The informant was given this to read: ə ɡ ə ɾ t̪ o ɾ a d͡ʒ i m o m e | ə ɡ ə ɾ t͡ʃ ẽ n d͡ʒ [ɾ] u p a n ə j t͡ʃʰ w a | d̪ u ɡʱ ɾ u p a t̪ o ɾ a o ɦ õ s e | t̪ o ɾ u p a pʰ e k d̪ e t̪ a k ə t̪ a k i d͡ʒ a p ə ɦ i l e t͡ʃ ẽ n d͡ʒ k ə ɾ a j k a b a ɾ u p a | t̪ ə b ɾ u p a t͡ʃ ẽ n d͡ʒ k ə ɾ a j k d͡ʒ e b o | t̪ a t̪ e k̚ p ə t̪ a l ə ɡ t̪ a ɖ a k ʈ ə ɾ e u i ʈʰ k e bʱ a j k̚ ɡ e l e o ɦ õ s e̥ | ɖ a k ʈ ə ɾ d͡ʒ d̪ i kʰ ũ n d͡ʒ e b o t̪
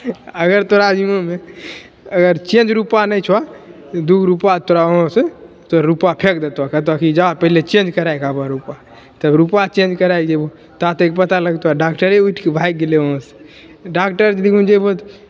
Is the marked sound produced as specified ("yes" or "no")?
yes